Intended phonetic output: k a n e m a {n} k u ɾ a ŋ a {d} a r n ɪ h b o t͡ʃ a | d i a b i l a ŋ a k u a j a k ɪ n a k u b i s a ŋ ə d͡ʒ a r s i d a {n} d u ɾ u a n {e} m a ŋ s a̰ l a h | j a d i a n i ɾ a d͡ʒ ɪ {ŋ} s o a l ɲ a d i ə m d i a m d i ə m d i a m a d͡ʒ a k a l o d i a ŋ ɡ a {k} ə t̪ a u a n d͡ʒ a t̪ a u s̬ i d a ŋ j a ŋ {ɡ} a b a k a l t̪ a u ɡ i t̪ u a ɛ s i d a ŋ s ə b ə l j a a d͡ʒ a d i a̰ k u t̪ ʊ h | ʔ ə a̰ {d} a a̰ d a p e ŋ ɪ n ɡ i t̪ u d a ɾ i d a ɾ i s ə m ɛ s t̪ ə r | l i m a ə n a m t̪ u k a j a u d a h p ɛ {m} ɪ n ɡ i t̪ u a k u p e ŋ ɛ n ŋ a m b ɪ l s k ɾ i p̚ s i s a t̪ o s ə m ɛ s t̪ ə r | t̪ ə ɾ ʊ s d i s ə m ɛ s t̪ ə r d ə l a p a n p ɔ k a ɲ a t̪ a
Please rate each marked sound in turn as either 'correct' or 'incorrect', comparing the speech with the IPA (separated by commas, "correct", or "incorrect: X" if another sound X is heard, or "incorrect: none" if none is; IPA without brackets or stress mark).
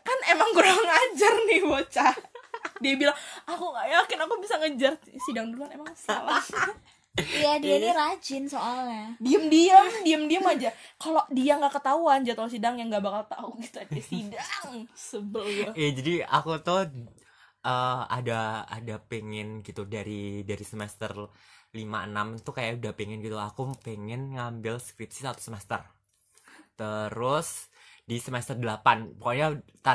incorrect: ŋ, incorrect: d͡ʒ, incorrect: ŋ, correct, incorrect: n, correct, correct, correct, incorrect: ŋ